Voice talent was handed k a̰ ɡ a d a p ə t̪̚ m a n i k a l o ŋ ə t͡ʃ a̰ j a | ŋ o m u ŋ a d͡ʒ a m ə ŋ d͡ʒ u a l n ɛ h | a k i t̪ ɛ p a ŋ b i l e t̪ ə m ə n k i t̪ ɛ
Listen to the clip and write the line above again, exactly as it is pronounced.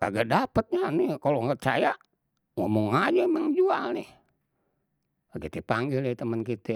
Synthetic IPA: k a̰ ɡ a d a p ə t̪̚ ɲ a n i k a l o ŋ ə t͡ʃ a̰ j a | ŋ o m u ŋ a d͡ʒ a m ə ŋ d͡ʒ u a l n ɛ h | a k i t̪ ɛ p a ŋ ɡ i l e t̪ ə m ə n k i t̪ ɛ